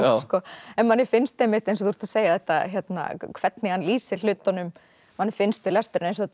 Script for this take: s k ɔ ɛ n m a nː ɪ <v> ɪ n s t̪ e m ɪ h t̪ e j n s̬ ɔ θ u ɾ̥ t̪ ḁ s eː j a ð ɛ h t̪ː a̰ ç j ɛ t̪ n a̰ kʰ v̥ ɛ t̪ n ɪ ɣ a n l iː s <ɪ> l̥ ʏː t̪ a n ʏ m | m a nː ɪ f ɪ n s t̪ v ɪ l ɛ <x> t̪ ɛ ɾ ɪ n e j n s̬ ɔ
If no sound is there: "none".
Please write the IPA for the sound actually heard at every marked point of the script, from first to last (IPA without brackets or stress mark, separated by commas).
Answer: f, ɪ, s